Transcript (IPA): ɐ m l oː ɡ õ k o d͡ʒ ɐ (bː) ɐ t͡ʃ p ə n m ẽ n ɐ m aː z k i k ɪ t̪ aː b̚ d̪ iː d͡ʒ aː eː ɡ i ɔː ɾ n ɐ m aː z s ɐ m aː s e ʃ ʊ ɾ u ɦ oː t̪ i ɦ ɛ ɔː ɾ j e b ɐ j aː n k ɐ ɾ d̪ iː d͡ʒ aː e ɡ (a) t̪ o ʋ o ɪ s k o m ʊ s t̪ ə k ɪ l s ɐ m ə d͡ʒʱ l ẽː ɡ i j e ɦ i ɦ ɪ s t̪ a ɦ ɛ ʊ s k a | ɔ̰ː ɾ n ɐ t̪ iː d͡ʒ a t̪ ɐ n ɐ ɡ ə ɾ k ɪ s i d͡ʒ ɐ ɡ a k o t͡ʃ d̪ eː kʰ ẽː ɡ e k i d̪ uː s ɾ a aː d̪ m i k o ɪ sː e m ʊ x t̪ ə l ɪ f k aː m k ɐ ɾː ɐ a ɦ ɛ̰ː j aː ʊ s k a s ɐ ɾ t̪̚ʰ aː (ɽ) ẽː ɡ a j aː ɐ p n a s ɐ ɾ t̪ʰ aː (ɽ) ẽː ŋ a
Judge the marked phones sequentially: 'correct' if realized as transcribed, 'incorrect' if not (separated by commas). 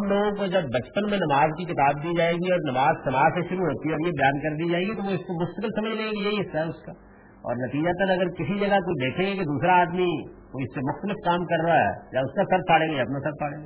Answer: correct, incorrect, correct, correct